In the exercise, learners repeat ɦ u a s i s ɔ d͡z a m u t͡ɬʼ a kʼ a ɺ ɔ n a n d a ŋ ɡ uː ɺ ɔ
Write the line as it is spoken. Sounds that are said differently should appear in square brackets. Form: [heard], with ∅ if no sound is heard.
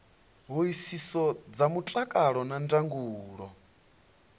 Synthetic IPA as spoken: ɦ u [i] s i s ɔ d͡z a m u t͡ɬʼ a kʼ a ɺ ɔ n a n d a ŋ ɡ uː ɺ ɔ